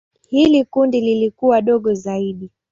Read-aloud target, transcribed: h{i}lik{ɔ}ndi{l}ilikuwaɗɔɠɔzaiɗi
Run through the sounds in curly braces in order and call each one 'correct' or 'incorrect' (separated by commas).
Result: correct, incorrect, correct